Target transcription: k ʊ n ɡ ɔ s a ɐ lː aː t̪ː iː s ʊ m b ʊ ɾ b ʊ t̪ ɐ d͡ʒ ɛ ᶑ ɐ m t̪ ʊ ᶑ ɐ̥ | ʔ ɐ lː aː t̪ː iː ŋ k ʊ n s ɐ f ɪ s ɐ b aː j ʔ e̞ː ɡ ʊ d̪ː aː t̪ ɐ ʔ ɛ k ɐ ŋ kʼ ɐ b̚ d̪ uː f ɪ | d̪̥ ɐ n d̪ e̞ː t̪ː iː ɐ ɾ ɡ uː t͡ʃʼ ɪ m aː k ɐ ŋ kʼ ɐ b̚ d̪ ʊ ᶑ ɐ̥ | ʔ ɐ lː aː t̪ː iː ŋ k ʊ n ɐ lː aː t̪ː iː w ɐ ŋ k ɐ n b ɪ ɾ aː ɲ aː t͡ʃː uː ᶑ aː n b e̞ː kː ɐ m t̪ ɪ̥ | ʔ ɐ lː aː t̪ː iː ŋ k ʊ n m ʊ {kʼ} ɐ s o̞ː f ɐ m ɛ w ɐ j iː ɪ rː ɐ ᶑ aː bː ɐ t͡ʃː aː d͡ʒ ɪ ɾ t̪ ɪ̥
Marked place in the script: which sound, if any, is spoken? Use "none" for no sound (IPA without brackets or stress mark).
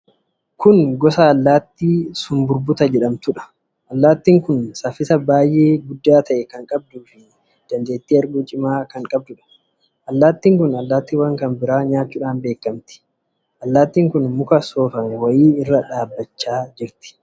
k